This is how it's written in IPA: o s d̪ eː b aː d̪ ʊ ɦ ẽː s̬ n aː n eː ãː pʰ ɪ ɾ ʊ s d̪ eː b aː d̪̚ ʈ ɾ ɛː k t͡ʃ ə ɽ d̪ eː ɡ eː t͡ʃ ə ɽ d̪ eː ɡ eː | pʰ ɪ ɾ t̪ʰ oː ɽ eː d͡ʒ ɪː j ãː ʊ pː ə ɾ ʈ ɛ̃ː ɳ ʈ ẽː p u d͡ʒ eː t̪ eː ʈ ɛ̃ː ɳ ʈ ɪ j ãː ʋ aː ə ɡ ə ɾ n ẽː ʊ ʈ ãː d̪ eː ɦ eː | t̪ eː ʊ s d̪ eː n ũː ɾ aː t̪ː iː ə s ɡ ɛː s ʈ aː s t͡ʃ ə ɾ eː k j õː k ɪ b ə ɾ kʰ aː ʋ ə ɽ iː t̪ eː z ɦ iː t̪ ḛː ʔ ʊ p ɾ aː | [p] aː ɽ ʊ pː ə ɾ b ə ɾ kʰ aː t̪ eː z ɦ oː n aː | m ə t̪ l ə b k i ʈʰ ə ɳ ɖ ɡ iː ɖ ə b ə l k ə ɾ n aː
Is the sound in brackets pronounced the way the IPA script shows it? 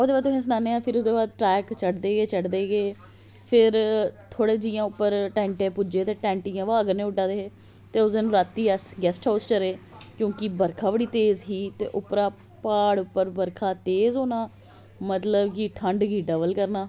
yes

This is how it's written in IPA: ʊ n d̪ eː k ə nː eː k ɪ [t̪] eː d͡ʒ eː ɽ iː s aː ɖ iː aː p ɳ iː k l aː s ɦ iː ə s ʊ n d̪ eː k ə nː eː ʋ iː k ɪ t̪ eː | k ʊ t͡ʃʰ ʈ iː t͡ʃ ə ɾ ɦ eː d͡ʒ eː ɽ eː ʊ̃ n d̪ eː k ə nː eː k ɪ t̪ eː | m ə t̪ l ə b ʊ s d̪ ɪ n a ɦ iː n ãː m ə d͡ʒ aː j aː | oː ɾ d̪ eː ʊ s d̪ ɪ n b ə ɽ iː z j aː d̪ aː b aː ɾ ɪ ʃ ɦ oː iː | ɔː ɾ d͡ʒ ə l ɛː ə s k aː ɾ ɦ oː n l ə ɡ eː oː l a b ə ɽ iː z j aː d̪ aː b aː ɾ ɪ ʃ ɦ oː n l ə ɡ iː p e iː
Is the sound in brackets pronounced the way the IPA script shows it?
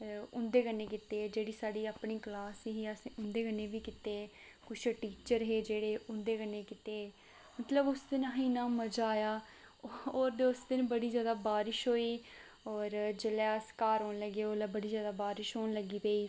yes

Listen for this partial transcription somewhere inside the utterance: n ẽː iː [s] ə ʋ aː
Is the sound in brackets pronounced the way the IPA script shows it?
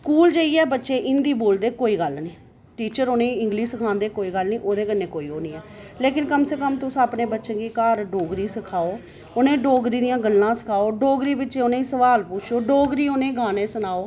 yes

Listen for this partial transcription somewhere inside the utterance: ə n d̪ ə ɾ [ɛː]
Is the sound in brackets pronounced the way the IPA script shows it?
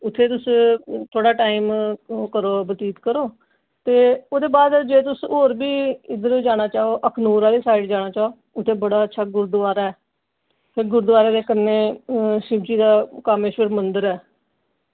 yes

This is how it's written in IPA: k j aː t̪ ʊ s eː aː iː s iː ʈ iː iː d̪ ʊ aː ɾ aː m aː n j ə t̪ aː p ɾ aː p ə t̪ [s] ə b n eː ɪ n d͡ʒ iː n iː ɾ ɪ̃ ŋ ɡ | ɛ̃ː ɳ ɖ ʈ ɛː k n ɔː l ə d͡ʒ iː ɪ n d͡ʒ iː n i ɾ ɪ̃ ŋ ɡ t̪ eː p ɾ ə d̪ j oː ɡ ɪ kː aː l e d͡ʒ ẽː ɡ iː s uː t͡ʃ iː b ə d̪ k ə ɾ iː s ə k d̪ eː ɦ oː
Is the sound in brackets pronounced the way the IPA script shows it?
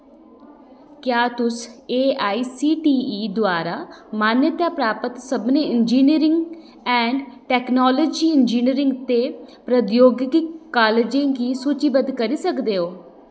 yes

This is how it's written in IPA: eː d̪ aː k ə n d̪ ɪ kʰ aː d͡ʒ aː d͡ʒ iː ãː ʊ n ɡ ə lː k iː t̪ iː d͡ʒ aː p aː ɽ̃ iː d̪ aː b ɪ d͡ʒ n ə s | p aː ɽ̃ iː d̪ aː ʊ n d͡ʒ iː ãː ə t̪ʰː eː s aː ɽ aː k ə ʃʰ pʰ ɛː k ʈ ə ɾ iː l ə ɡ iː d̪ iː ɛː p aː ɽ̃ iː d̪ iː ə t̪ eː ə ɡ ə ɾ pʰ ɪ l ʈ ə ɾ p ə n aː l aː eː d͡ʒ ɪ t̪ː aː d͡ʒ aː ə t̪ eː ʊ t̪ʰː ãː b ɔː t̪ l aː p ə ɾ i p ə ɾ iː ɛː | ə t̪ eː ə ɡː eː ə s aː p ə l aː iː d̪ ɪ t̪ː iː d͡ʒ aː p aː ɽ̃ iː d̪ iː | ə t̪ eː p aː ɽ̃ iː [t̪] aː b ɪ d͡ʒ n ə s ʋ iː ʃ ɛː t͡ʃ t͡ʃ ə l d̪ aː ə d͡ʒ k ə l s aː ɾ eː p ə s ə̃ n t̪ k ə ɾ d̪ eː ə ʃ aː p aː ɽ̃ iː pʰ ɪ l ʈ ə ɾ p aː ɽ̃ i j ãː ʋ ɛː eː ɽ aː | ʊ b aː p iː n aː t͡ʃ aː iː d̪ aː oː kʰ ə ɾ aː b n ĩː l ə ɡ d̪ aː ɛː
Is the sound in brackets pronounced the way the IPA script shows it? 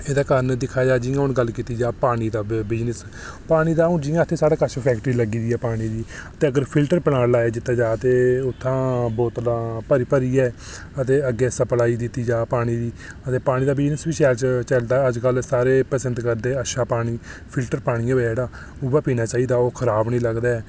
no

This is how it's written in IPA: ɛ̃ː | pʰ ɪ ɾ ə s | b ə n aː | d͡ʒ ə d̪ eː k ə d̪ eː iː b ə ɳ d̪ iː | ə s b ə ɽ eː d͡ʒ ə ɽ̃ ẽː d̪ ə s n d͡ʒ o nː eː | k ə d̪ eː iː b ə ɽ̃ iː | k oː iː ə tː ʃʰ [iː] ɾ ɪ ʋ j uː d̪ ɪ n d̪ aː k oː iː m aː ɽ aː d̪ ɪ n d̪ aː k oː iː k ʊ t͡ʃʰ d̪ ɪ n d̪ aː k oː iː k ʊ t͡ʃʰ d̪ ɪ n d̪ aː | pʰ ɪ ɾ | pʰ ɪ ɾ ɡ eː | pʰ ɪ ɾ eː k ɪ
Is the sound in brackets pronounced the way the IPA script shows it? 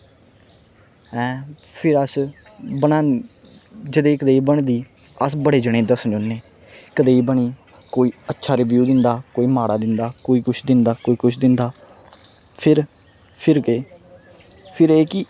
no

